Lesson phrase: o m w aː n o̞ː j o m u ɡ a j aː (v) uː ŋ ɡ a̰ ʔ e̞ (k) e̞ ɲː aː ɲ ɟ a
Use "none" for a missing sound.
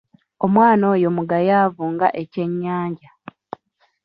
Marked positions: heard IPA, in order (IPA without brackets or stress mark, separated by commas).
v, c